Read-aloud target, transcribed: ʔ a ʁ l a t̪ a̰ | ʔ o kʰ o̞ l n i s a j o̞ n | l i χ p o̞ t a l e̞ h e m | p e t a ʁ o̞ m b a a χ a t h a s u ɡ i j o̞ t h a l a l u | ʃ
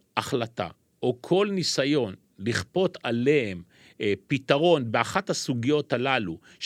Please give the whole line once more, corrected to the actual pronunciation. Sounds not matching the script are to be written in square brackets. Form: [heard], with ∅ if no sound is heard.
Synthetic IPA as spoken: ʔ a [χ] l a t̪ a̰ | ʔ o kʰ o̞ l n i s a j o̞ n | l i χ p o̞ t a l e̞ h e m | p [i] t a ʁ o̞ [n] b [e] a χ a t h a s u ɡ i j o̞ t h a l a l u | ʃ